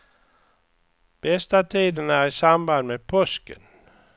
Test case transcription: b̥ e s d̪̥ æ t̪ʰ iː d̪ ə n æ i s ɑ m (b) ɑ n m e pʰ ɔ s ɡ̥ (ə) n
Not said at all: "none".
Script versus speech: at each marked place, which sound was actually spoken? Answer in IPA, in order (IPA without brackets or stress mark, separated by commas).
b, ə